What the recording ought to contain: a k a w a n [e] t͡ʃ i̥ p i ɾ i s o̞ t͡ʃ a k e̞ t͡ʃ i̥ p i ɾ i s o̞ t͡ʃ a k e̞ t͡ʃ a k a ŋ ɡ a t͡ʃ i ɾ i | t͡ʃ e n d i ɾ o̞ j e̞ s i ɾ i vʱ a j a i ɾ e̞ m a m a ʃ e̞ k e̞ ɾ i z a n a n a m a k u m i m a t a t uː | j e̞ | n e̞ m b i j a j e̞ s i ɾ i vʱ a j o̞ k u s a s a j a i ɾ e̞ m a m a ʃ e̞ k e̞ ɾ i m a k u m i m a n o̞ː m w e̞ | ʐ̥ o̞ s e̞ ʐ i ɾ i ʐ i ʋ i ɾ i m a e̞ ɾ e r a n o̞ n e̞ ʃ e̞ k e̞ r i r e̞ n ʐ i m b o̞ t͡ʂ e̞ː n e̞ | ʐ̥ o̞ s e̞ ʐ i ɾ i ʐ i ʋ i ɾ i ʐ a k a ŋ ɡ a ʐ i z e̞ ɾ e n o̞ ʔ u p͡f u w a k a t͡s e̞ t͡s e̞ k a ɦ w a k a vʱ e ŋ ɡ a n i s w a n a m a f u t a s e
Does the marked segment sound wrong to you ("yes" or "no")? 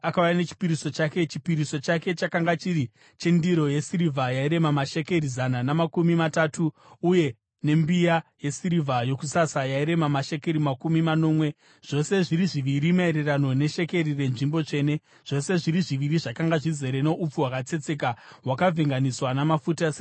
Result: no